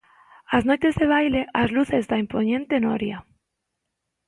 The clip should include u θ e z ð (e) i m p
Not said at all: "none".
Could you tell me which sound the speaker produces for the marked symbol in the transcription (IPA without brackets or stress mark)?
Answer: a